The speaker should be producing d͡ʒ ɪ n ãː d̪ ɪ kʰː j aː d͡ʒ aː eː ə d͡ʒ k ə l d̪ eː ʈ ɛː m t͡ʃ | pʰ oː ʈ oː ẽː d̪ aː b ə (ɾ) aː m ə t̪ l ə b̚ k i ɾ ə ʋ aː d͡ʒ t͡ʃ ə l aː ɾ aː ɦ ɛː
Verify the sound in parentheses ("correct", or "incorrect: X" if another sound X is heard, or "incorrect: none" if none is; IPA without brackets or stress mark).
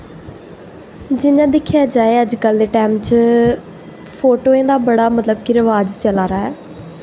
incorrect: ɽ